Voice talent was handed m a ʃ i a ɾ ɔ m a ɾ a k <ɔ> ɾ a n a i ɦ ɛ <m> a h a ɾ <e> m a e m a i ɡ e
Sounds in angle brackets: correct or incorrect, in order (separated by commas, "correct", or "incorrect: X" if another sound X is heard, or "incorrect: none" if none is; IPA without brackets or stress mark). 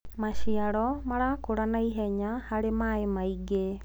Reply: incorrect: o, incorrect: ɲ, correct